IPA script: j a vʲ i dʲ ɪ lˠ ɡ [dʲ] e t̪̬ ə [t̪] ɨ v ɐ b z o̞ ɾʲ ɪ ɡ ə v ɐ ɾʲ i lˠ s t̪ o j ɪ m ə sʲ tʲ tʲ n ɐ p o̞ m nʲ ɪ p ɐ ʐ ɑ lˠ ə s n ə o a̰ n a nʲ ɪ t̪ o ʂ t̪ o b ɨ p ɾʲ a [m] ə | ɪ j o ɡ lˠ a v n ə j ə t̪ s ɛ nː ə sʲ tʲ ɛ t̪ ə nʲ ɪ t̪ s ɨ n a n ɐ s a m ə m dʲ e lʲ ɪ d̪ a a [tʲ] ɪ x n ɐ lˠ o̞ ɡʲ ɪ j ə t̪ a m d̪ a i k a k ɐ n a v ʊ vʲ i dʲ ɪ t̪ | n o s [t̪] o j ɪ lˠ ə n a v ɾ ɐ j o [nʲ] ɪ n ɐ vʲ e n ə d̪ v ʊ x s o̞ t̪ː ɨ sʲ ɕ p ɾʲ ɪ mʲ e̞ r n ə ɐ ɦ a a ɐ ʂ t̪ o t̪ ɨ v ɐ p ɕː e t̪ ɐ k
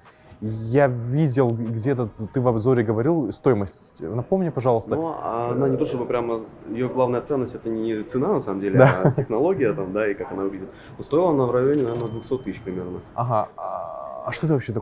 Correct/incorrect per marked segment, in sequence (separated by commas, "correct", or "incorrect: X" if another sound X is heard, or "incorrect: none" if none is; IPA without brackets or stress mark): correct, correct, correct, correct, correct, correct